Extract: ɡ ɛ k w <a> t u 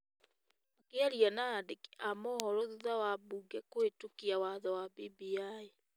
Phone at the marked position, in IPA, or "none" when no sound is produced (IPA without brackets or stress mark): e